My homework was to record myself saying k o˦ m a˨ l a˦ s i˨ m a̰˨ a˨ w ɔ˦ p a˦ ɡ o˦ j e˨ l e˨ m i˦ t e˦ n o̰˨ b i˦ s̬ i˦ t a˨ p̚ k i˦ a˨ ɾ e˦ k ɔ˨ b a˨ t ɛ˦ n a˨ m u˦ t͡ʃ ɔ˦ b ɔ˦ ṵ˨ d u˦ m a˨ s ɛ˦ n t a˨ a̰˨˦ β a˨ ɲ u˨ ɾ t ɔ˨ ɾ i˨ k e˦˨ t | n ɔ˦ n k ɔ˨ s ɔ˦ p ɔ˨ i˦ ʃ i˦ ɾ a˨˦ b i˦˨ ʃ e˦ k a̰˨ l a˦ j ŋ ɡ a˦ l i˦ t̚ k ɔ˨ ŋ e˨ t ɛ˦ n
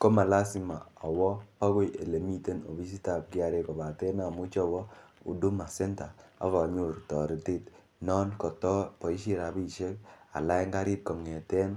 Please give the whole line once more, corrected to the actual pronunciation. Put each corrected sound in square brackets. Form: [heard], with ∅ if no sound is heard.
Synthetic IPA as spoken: k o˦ m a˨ l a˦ s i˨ m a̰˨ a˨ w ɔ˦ p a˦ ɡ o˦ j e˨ l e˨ m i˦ t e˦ n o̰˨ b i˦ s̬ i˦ t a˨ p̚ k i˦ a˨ ɾ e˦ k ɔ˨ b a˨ t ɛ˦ n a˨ m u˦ t͡ʃ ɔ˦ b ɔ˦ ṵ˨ d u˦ m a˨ s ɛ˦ n t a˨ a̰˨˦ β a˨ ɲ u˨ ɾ t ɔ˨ ɾ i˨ [t] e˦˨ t | n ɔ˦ n k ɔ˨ [t] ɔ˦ p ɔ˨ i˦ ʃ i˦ ɾ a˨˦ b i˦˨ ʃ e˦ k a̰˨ l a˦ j ŋ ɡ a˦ [ɾ] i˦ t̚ k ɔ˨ ŋ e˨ t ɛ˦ n